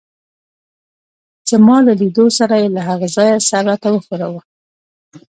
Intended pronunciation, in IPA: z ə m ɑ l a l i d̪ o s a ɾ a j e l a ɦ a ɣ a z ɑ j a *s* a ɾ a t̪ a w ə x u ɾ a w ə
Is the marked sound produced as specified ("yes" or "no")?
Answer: yes